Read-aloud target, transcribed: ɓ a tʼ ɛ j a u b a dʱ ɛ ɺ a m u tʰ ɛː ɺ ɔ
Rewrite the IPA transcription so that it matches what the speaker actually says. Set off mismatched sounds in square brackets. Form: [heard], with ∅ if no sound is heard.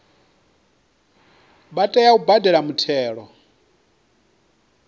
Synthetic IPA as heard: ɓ a tʼ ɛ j a u b a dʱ ɛ ɺ a m u tʰ ɛː ɺ ɔ